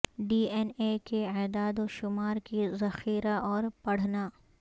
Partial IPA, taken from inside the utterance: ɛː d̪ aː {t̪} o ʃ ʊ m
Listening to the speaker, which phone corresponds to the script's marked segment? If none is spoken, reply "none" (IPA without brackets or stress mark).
d̪